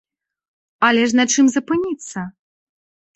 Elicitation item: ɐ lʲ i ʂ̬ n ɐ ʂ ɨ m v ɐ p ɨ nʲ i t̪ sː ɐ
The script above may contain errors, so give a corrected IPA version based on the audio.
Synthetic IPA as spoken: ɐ lʲ ɛ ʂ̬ n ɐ t͡ʂ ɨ m z ɐ p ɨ nʲ i t̪ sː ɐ